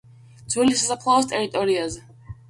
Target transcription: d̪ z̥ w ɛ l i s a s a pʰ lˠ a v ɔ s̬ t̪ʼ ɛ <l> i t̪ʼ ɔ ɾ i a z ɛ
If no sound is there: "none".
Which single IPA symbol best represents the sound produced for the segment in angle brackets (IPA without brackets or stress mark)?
ɾ